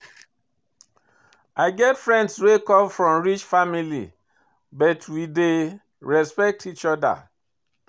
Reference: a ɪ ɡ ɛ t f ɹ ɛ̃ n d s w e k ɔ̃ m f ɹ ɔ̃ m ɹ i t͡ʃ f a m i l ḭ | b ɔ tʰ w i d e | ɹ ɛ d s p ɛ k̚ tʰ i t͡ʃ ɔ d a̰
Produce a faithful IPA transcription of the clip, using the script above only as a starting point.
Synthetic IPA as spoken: a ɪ ɡ ɛ t f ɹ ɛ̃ n d s w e k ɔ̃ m f ɹ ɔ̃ m ɹ i t͡ʃ f a m i l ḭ | b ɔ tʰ w i d e | ɹ ɛ s p ɛ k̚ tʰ i t͡ʃ ɔ d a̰